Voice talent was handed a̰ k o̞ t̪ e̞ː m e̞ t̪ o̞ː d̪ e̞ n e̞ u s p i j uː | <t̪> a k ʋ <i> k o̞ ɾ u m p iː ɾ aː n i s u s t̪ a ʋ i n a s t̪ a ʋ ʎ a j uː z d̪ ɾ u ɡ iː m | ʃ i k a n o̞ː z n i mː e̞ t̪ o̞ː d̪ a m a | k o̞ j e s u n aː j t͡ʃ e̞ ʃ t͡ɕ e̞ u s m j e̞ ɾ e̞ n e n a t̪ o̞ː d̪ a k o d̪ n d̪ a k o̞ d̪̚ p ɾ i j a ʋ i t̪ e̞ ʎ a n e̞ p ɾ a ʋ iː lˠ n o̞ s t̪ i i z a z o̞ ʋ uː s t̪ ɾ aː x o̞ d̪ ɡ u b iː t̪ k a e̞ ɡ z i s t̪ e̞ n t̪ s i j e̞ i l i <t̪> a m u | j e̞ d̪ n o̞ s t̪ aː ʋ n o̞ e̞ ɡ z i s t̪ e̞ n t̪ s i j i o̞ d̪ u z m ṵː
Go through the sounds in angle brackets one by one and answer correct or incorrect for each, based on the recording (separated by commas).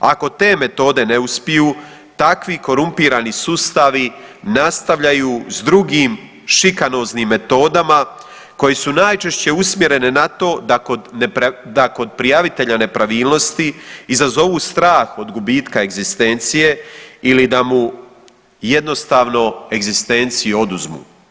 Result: correct, correct, incorrect